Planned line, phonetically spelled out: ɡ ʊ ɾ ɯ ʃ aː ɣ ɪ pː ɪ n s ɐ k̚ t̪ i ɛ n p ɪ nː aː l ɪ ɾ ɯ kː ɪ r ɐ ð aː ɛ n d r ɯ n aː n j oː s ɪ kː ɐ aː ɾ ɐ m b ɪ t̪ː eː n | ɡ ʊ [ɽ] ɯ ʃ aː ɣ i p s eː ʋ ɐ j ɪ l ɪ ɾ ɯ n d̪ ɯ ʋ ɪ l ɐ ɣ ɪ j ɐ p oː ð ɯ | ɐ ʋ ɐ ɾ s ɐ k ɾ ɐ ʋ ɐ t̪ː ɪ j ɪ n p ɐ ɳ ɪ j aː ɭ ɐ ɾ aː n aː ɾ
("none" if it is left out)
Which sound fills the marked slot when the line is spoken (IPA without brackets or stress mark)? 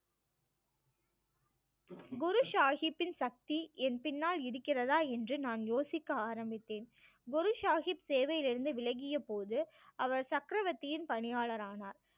ɾ